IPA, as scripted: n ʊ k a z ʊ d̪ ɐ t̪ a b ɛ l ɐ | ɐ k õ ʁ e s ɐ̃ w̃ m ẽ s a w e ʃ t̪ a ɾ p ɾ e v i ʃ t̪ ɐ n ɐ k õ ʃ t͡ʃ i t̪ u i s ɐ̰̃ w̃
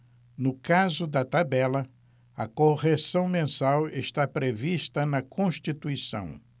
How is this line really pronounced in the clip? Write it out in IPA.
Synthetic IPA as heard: n ʊ k a z ʊ d̪ ɐ t̪ a b ɛ l ɐ | ɐ k o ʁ e s ɐ̃ w̃ m ẽ s a w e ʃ t̪ a p ɾ e v i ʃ t̪ ɐ n ɐ k õ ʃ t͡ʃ i t̪ u i s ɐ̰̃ w̃